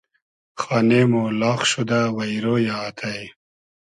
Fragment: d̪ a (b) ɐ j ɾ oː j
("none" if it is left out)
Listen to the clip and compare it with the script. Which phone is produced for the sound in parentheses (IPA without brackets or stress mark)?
w